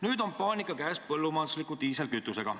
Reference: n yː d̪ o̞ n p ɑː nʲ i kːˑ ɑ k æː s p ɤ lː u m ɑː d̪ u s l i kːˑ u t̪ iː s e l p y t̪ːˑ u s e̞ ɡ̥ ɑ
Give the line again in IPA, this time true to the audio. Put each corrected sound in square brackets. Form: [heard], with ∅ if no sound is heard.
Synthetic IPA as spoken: n yː d̪ o̞ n p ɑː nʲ i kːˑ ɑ k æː s p ɤ lː u m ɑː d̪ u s l i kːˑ u t̪ iː s e l [k] y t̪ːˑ u s e̞ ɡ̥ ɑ